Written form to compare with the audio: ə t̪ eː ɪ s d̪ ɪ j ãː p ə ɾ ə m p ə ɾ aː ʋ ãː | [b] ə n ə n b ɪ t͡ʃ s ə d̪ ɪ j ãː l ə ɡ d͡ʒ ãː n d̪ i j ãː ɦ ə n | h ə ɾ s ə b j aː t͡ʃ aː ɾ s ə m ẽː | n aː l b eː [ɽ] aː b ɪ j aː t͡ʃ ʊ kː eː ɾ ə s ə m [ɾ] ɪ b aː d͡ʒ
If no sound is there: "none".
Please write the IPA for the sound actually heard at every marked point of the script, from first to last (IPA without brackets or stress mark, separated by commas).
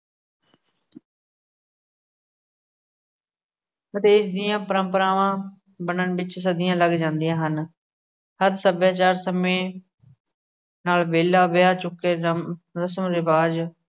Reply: b, l, ɾ